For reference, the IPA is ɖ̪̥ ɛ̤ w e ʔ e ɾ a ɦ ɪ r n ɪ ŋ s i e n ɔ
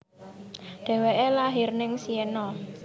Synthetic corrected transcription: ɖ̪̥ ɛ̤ w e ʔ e l a ɦ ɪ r n ɪ ŋ s i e n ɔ